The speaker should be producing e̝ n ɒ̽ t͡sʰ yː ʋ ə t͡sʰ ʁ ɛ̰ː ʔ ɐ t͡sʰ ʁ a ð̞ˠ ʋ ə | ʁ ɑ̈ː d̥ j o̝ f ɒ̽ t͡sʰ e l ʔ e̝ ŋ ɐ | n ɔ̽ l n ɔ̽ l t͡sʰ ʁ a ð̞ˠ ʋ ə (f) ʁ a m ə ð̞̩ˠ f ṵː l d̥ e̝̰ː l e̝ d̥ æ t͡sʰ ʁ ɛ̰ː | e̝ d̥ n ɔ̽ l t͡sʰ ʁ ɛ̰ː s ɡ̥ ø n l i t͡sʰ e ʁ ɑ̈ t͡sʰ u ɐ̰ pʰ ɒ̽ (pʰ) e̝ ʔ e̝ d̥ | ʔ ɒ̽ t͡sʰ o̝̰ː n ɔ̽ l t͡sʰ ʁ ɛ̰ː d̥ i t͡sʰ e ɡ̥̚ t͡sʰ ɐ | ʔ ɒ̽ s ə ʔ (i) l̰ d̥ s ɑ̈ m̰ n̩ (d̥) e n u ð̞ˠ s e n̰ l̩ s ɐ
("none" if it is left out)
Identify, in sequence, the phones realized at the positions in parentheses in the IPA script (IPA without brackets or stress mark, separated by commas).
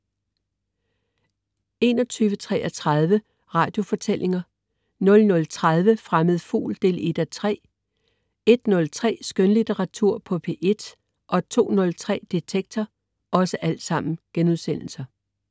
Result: f, pʰ, æ, ɡ̥